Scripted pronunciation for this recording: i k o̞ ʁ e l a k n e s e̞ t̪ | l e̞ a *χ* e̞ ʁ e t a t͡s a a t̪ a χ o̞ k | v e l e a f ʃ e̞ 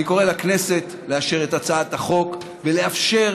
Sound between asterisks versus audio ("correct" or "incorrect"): incorrect